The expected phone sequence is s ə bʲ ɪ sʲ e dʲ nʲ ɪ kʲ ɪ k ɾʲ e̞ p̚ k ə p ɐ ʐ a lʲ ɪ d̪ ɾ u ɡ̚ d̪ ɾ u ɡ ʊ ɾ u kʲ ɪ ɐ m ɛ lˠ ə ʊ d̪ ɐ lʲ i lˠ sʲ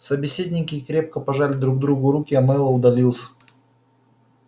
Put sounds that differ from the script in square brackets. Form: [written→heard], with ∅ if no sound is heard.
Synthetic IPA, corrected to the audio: s ə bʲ ɪ sʲ e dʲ nʲ ɪ kʲ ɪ k ɾʲ e̞ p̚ k ə p ɐ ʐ a lʲ ɪ d̪ ɾ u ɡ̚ d̪ ɾ u ɡ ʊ ɾ u kʲ ɪ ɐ m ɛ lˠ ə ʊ d̪ ɐ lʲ i lˠ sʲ

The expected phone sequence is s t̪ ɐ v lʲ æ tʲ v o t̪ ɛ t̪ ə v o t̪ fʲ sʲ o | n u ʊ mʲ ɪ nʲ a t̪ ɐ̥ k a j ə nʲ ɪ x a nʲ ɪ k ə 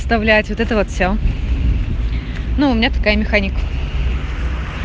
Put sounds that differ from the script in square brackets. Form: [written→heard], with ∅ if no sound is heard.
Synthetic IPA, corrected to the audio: s t̪ ɐ v lʲ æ tʲ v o t̪ ɛ t̪ ə v o t̪ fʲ sʲ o | n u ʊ mʲ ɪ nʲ a t̪ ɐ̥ k a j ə [nʲ→mʲ] ɪ x a nʲ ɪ k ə

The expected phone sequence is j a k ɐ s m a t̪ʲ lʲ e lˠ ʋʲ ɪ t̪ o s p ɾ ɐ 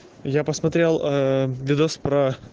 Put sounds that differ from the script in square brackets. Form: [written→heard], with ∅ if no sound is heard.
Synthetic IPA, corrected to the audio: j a [k→p] ɐ s m [a→ɐ] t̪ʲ [lʲ→ɾʲ] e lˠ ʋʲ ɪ [t̪→d̪] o s p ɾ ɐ

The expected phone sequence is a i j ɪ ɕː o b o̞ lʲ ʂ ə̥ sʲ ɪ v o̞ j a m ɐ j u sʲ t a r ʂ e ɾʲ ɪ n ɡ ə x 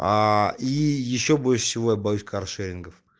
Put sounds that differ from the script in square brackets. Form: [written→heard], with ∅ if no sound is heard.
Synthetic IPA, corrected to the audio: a i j ɪ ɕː o b o̞ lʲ ʂ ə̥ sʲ ɪ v o̞ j a [m→b] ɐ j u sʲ [t→k] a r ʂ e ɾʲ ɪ n ɡ ə [x→f]

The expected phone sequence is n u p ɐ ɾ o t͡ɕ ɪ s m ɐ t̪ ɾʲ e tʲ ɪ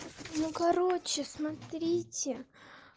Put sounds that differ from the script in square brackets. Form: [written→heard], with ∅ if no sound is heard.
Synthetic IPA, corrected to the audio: n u [p→k] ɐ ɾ o t͡ɕ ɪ s m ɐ t̪ ɾʲ [e→i] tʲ ɪ

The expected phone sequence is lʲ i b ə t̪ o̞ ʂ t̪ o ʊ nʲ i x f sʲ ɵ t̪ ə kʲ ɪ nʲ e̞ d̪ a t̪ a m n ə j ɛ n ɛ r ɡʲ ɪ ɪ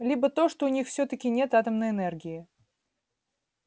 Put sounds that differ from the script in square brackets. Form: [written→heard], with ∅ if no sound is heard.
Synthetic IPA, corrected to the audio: lʲ i b ə t̪ o̞ ʂ t̪ o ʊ nʲ i x f sʲ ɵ t̪ ə kʲ ɪ nʲ e̞ [d̪→t̪] a t̪ [a→ə] m n ə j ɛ n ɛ r ɡʲ ɪ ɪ

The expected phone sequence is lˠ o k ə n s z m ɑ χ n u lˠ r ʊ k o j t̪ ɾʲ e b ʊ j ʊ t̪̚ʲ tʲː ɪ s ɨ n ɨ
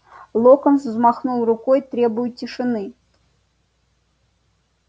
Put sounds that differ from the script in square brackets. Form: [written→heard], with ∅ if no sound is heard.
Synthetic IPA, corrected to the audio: lˠ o k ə n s z m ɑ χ n u lˠ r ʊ k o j t̪ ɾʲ e b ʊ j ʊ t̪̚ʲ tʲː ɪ [s→ʂ] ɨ n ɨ

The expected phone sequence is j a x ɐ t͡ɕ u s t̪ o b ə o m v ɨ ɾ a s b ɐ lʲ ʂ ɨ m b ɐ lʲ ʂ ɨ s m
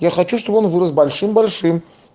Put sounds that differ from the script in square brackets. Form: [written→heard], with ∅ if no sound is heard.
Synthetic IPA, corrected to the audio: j a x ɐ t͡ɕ u [s→ʂ] t̪ o b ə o [m→n] v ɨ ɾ [a→ə] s b ɐ lʲ ʂ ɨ m b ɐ lʲ ʂ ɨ [s→∅] m

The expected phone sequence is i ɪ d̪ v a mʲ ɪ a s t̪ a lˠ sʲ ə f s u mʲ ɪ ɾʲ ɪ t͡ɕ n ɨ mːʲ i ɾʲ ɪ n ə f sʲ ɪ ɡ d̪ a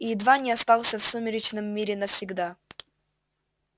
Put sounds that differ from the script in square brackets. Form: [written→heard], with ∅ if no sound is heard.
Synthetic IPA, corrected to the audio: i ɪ d̪ v a [mʲ→nʲ] ɪ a s t̪ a lˠ sʲ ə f s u mʲ ɪ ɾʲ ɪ t͡ɕ n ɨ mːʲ i ɾʲ ɪ n ə f sʲ ɪ ɡ d̪ a

